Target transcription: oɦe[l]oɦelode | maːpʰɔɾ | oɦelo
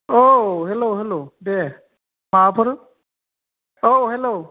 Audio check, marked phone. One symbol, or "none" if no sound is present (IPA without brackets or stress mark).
l